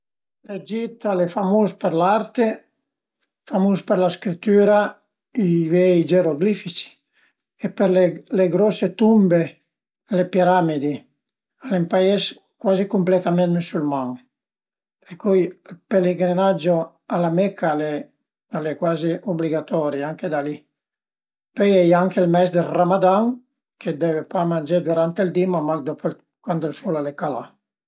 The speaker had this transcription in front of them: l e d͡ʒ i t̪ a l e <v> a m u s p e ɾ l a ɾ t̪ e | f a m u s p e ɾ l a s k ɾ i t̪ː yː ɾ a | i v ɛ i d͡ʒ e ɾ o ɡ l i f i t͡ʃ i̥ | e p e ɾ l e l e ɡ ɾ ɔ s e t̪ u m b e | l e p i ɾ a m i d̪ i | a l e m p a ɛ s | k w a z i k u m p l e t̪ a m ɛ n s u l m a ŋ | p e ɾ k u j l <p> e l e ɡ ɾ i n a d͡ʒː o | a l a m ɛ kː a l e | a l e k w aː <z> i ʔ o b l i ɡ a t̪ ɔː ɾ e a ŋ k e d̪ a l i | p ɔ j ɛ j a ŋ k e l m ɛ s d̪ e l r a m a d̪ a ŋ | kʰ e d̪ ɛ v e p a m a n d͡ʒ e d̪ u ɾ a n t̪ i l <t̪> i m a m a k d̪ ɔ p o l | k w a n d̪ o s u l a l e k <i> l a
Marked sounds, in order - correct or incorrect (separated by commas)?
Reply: incorrect, correct, correct, incorrect, incorrect